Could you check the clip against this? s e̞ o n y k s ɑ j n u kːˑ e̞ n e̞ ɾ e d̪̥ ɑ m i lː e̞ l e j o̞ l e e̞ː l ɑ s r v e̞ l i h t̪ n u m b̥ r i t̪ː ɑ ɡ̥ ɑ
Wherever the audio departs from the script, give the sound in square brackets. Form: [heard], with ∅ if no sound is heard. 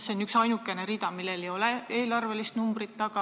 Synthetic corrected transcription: s e̞ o n y k s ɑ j n u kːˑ e̞ n e̞ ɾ [i] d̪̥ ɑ m i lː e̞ l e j o̞ l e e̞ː l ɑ [∅] r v e̞ l i [s] t̪ n u m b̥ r i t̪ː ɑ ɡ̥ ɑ